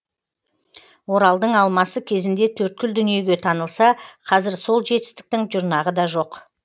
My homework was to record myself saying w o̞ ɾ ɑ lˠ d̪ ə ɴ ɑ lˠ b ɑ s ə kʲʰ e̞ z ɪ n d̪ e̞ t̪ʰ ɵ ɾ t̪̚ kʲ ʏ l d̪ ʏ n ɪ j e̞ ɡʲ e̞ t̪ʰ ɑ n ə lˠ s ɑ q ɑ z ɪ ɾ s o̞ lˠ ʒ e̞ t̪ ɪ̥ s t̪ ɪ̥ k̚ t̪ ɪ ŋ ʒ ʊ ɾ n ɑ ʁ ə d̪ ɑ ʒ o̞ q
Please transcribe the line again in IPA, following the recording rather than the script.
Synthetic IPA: w o̞ ɾ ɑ lˠ d̪ ə ɴ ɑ lˠ m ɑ s ə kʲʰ e̞ z ɪ n d̪ e̞ t̪ʰ ɵ ɾ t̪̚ kʲ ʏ l d̪ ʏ n i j e̞ ɡʲ e̞ t̪ʰ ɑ n ə lˠ s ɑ qʰ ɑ z ɪ ɾ s o̞ lˠ ʒ e̞ t̪ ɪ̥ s t̪ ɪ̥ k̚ t̪ ɪ ŋ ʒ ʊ ɾ n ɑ ʁ ə d̪ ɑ ʒ o̞ q